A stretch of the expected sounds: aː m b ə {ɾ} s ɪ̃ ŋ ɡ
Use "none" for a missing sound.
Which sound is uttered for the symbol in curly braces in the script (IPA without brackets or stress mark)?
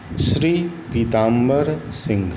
ɾ